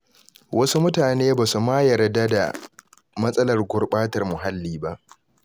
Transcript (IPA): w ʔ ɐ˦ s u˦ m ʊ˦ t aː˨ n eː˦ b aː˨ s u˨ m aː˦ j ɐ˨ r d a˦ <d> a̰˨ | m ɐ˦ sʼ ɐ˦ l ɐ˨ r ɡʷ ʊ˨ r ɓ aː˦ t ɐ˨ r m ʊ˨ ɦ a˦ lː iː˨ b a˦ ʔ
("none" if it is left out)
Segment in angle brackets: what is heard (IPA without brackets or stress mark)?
d